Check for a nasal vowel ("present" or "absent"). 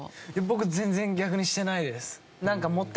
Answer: present